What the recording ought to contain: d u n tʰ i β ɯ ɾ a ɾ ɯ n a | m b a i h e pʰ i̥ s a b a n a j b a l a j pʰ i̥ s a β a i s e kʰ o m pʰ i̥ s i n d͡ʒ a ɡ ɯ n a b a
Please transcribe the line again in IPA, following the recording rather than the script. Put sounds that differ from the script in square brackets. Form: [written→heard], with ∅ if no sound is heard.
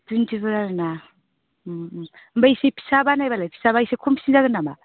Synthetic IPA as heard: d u n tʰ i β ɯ ɾ a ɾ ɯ n a | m b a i [h→s] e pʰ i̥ s a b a n a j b a l a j pʰ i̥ s a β a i s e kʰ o m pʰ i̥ s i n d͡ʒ a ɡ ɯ n a [b→m] a